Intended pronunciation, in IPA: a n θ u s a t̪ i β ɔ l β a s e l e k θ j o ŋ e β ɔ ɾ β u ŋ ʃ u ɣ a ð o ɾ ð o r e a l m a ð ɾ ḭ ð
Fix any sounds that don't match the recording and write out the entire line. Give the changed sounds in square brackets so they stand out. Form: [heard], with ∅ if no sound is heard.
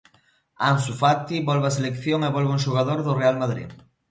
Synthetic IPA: a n [s] u [f] a t̪ i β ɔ l β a s e l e k θ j o ŋ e β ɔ [l] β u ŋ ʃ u ɣ a ð o ɾ ð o r e a l m a ð ɾ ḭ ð